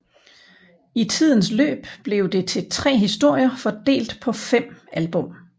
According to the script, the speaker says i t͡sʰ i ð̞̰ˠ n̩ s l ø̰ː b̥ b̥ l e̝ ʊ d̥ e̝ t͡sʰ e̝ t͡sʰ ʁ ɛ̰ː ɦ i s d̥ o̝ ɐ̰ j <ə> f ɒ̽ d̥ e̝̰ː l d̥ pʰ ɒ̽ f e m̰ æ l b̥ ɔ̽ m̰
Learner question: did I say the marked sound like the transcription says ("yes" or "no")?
no